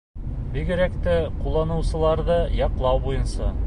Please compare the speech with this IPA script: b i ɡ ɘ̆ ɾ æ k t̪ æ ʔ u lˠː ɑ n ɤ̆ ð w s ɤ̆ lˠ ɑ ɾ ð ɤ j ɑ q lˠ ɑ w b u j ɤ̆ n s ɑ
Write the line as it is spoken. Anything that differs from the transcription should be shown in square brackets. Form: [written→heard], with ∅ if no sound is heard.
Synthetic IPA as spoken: b i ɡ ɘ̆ ɾ æ k t̪ æ [ʔ→q] u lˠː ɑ n ɤ̆ [ð→∅] w s ɤ̆ lˠ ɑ ɾ ð ɤ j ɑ q lˠ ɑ w b u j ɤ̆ n s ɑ